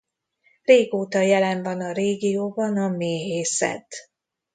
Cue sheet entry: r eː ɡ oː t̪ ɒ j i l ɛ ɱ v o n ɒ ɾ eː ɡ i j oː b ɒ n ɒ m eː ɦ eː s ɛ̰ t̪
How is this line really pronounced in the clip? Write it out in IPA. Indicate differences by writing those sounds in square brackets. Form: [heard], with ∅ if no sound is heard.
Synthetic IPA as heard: r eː ɡ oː t̪ ɒ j [ɛ] l ɛ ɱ v [ɒ] n ɒ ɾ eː ɡ i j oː b ɒ n ɒ m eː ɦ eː s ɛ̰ t̪